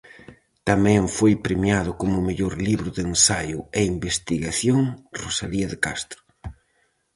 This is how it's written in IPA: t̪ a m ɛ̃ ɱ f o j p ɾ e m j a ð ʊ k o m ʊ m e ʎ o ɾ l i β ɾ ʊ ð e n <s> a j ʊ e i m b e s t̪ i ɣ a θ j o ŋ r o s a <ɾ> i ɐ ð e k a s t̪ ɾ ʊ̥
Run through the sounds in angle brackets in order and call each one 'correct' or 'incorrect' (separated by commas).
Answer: correct, incorrect